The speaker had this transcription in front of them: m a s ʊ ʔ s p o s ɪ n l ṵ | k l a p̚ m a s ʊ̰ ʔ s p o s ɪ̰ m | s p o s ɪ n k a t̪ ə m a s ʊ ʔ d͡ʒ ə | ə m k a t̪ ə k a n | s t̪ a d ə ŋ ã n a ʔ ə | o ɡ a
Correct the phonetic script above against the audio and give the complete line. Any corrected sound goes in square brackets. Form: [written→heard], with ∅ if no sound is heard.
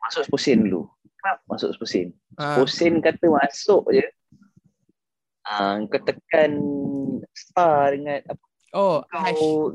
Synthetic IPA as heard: m a s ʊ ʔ s p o s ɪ n l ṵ | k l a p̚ m a s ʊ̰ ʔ s p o s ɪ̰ [m→n] | s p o s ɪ n k a t̪ ə m a s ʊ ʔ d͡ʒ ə | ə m k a t̪ ə k a n | s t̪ a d ə ŋ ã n a [ʔ→p] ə | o [ɡ→k] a